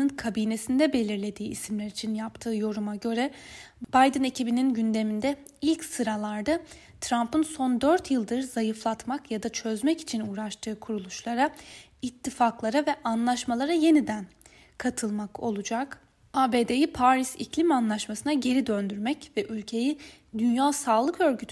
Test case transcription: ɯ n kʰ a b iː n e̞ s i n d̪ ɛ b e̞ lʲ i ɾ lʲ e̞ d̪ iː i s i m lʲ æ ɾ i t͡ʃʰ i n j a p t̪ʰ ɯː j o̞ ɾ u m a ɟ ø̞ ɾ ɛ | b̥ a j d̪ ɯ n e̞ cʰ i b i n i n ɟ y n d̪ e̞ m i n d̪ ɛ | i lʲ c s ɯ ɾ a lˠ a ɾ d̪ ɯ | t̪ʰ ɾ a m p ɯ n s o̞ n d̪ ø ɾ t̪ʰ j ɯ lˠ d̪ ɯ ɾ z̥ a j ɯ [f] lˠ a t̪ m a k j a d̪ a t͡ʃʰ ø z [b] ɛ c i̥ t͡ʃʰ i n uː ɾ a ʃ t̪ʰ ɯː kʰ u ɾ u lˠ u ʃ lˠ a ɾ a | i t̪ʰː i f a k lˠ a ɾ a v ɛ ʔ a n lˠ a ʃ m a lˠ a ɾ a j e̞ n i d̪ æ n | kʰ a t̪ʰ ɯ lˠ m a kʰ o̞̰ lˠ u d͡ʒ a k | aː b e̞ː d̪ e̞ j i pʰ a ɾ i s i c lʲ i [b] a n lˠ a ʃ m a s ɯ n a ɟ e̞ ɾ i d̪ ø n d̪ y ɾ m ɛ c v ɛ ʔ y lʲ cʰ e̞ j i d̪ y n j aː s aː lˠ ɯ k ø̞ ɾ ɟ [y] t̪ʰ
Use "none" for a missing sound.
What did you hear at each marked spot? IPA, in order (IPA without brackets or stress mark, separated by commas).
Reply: f, m, m, y